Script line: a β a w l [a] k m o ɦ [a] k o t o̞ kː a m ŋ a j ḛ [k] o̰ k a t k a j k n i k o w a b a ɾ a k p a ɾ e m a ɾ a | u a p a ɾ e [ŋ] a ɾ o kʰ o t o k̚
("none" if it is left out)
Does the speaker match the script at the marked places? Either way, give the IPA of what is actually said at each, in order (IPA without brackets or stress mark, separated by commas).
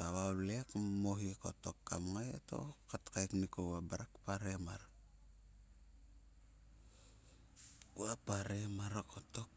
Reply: e, i, t, m